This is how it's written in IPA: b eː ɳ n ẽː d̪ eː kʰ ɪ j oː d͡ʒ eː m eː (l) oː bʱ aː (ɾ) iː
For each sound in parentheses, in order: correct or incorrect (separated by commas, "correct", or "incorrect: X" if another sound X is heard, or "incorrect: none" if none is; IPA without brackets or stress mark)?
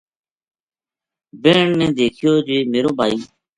incorrect: ɾ, incorrect: none